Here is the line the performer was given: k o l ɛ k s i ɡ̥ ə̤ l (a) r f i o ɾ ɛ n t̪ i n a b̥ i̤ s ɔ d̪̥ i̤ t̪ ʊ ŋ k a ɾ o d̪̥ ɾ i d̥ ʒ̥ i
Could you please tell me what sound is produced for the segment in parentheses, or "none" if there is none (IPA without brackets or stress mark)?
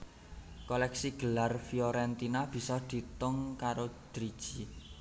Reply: a